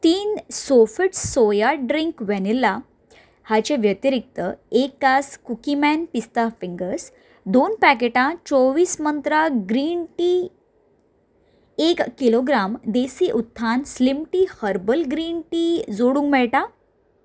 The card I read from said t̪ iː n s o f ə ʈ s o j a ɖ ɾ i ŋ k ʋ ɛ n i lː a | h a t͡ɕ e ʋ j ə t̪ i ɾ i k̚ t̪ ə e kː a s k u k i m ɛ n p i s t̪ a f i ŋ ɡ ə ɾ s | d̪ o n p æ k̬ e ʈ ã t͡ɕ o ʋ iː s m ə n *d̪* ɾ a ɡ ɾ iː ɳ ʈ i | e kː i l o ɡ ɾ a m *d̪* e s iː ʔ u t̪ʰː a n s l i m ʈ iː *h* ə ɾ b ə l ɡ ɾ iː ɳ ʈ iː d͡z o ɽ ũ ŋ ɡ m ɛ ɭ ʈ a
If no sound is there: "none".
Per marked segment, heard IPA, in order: t̪, d̪, h

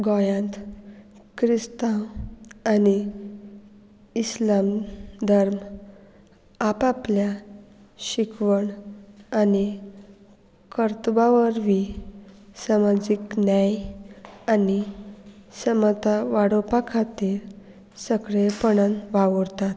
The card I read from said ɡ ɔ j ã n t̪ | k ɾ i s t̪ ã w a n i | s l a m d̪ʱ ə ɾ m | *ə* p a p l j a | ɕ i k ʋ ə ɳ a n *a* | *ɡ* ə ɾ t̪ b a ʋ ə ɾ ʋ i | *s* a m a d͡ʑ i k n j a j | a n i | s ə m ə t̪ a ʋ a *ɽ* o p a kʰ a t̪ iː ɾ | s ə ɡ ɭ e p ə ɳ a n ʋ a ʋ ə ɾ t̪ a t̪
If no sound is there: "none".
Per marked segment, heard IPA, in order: a, i, k, s, ɽ

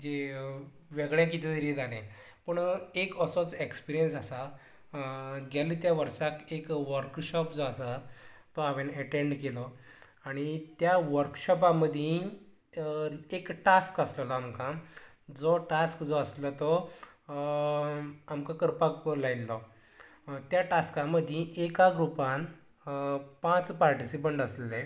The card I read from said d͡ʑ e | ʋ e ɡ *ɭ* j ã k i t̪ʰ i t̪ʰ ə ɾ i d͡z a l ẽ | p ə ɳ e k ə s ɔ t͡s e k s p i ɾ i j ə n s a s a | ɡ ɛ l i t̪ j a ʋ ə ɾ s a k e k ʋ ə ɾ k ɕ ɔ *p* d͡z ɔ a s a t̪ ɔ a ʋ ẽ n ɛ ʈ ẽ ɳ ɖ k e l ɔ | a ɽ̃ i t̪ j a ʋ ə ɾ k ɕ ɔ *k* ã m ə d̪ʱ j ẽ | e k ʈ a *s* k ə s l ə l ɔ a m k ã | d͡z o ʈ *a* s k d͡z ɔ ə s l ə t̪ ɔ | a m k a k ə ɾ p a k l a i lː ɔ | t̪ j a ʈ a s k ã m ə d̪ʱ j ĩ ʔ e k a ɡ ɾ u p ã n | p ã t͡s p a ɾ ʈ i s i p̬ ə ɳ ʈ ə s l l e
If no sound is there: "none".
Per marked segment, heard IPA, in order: ɭ, p, p, s, a

